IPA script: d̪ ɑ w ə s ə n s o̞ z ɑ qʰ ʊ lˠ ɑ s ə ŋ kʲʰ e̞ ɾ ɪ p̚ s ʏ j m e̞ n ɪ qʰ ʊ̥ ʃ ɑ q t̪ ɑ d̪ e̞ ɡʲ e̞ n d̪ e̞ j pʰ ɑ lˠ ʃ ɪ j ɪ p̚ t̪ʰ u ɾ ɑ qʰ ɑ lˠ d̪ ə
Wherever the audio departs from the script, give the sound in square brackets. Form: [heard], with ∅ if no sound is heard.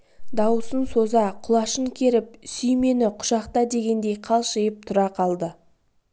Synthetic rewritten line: d̪ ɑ w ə s ə n s o̞ z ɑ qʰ ʊ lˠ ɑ [ʃ] ə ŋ kʲʰ e̞ ɾ ɪ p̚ s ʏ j m e̞ n ɪ qʰ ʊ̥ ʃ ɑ q t̪ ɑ d̪ e̞ ɡʲ e̞ n d̪ e̞ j [qʰ] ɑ lˠ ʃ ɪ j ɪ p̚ t̪ʰ [ʊ] ɾ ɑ qʰ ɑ lˠ d̪ ə